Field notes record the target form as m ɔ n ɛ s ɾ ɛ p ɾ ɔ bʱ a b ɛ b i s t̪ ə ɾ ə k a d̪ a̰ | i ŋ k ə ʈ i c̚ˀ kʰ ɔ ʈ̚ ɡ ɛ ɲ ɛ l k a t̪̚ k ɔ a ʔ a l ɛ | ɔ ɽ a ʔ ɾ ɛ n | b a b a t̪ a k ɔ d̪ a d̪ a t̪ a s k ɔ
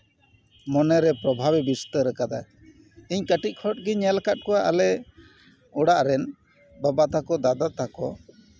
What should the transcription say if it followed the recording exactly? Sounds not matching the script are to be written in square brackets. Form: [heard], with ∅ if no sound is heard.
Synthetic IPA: m ɔ n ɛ [∅] ɾ ɛ p ɾ ɔ bʱ a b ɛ b i s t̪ ə ɾ ə k a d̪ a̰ | i [ɲ] k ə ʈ i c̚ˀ kʰ ɔ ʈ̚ ɡ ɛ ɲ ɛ l k a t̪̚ k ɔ a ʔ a l ɛ | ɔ ɽ a ʔ ɾ ɛ n | b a b a t̪ a k ɔ d̪ a d̪ a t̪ a [∅] k ɔ

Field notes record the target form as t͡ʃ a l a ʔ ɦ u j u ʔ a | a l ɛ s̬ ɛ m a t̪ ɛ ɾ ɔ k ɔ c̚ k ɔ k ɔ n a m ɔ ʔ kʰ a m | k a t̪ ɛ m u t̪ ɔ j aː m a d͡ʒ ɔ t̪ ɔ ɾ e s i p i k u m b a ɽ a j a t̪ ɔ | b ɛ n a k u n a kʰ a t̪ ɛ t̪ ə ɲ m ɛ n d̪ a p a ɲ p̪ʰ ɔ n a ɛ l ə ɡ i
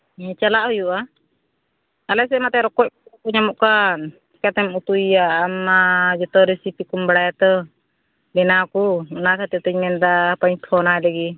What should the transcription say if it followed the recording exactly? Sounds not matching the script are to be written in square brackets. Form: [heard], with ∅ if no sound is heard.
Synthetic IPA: t͡ʃ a l a ʔ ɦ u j u ʔ a | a l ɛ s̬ ɛ m a t̪ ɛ ɾ ɔ k ɔ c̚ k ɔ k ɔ [ɲ] a m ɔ ʔ [k] a [n] | k a t̪ ɛ m u t̪ [u] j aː m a d͡ʒ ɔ t̪ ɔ ɾ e s i p i k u m b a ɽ a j a t̪ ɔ | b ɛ n a k u n a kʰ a t̪ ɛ t̪ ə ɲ m ɛ n d̪ a p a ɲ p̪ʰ ɔ n a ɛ l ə ɡ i

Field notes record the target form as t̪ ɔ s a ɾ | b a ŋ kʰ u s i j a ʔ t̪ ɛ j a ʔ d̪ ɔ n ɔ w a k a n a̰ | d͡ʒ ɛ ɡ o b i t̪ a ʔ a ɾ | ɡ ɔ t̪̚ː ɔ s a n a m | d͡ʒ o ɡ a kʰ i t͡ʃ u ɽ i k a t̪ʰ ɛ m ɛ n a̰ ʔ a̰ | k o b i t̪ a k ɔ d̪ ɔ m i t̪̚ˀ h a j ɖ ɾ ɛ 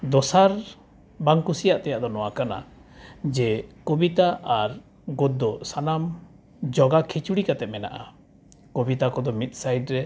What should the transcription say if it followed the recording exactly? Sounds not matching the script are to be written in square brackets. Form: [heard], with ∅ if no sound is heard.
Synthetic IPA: [d̪] ɔ s a ɾ | b a ŋ [k] u s i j a ʔ t̪ ɛ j a ʔ d̪ ɔ n ɔ w a k a n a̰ | d͡ʒ ɛ [k] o b i t̪ a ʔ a ɾ | ɡ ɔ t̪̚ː ɔ s a n a m | d͡ʒ [ɔ] ɡ a kʰ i t͡ʃ u ɽ i k a [t̪] ɛ m ɛ n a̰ ʔ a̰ | k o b i t̪ a k ɔ d̪ ɔ m i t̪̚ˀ [s] a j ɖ ɾ ɛ

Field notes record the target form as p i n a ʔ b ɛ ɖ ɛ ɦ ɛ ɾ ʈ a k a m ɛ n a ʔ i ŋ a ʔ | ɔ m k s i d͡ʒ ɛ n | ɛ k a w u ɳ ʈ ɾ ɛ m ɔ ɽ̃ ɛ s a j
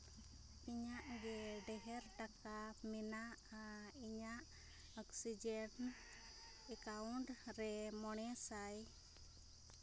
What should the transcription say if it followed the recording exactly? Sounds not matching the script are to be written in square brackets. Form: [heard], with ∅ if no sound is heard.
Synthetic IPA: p i [ɲ] a ʔ [ɡ] ɛ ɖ ɛ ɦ ɛ ɾ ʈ a k a m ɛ n a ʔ i [ɲ] a ʔ | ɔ [∅] k s i d͡ʒ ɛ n | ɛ k a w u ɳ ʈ ɾ ɛ m ɔ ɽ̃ ɛ s a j

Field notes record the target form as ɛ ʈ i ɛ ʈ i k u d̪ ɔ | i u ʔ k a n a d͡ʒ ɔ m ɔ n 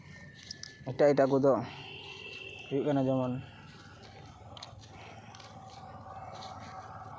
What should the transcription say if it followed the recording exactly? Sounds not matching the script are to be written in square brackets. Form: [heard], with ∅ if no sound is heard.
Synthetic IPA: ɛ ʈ [a] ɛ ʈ [a] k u d̪ ɔ | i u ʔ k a n a d͡ʒ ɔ m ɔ n

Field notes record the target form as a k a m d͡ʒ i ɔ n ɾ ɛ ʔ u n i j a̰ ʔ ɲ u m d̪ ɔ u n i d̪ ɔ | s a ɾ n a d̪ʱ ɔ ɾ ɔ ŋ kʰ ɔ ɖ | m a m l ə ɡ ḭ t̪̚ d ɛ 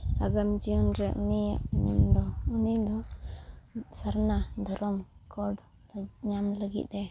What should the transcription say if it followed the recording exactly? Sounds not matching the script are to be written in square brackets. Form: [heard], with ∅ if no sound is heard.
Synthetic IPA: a [ɡ] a m d͡ʒ i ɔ n ɾ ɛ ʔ u n i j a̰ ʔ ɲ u m d̪ ɔ u n i d̪ ɔ | s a ɾ n a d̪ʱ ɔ ɾ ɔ [m] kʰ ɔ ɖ | [ɲ] a m l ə ɡ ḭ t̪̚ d ɛ

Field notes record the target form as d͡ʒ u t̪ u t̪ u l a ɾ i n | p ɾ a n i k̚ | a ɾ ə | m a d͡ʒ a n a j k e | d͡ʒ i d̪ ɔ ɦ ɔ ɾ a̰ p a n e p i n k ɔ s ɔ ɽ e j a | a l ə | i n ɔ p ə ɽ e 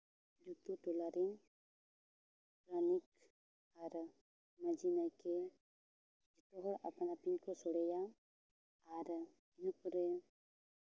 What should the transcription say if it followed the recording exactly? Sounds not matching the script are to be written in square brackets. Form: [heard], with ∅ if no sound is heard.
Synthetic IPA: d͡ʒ u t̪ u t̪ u l a ɾ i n | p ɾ a n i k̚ | a ɾ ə | m a d͡ʒ [i] n a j k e | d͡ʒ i [t̪] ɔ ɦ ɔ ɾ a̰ p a n [a] p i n k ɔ s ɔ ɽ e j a | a [ɾ] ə | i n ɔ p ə [ɾ] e

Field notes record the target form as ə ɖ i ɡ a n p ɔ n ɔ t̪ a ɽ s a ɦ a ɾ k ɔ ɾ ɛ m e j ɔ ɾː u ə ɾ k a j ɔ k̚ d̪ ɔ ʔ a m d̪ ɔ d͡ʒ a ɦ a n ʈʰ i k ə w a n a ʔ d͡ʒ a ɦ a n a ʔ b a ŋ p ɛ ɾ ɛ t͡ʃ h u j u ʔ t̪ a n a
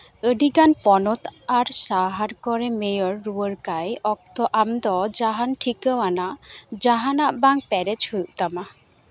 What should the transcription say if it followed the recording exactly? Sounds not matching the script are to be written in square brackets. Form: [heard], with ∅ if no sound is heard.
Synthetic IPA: ə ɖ i ɡ a n p ɔ n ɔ t̪ a [ɾ] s a ɦ a ɾ k ɔ ɾ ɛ m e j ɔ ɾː u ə ɾ k a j ɔ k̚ [t̪] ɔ ʔ a m d̪ ɔ d͡ʒ a ɦ a n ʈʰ i k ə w a n a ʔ d͡ʒ a ɦ a n a ʔ b a ŋ p ɛ ɾ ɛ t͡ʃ h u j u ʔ t̪ a [m] a

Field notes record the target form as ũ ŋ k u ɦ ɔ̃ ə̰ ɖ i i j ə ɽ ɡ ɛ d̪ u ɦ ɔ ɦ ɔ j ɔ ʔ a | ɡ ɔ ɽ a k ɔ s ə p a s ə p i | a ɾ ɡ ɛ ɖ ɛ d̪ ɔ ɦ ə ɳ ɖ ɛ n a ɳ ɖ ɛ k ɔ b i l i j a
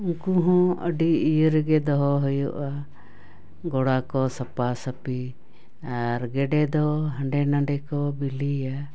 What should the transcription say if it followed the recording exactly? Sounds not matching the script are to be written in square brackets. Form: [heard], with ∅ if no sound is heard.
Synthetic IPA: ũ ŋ k u ɦ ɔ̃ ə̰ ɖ i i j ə [ɾ] ɡ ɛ d̪ [ɔ] ɦ ɔ ɦ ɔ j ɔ ʔ a | ɡ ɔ ɽ a k ɔ s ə p a s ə p i | a ɾ ɡ ɛ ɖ ɛ d̪ ɔ ɦ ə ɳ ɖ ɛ n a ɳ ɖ ɛ k ɔ b i l i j a

